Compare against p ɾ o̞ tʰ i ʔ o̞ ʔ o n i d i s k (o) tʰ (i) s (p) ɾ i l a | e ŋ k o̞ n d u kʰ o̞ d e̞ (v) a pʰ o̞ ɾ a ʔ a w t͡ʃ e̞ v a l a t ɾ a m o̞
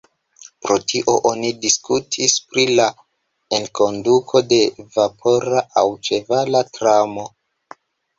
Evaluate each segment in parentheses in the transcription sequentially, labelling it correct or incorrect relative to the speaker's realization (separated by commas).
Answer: incorrect, correct, correct, correct